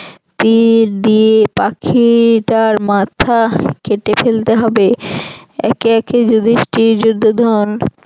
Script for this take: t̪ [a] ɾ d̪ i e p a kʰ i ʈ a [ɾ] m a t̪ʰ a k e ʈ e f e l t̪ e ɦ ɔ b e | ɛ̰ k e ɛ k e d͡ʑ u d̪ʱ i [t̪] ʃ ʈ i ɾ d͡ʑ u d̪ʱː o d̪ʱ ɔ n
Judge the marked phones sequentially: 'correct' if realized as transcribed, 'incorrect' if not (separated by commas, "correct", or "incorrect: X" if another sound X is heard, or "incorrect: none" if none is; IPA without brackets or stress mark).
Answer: incorrect: i, correct, incorrect: none